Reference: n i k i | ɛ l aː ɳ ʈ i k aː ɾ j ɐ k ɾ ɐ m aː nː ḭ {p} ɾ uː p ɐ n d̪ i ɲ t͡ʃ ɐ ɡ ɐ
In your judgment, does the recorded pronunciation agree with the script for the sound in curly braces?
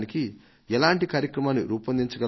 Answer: no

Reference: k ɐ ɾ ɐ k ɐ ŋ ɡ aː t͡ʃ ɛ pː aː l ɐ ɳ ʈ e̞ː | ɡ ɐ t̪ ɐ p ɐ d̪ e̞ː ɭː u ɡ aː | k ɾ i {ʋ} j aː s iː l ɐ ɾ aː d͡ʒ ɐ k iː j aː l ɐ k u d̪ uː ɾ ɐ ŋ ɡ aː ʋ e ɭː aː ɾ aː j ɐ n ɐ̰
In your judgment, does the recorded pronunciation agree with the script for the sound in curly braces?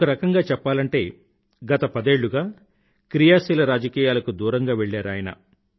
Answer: no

